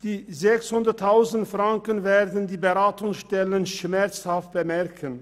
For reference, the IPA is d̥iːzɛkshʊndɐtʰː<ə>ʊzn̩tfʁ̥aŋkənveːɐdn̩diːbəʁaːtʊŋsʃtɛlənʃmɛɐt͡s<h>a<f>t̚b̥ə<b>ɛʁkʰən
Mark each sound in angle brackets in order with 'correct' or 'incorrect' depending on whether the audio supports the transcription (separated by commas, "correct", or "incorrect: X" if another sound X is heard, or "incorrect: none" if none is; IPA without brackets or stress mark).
incorrect: a, correct, correct, incorrect: m